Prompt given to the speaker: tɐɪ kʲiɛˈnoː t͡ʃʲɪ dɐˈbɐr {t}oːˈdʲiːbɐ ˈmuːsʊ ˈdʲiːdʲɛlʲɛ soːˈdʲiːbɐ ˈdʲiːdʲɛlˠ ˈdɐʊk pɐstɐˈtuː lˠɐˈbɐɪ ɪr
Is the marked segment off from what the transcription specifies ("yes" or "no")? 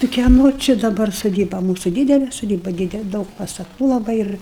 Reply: yes